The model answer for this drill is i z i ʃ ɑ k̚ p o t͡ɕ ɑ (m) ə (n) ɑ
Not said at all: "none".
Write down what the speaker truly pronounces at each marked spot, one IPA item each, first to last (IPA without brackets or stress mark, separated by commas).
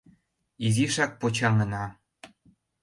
ŋ, n